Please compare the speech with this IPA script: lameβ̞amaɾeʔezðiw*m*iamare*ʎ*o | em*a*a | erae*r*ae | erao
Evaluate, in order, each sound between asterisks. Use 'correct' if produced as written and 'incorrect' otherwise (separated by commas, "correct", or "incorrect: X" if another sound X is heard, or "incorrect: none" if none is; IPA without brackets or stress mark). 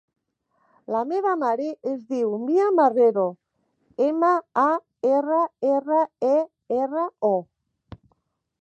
correct, incorrect: ɾ, correct, correct